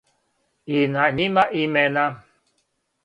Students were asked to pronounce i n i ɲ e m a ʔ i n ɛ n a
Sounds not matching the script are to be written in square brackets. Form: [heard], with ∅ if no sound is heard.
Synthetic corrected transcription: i n [a] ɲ [i] m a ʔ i [m] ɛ n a